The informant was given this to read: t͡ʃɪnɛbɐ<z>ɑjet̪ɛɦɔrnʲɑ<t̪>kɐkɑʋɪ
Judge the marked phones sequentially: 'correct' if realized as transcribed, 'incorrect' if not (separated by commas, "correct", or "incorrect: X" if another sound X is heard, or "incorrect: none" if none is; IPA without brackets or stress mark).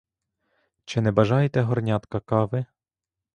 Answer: incorrect: ʒ, correct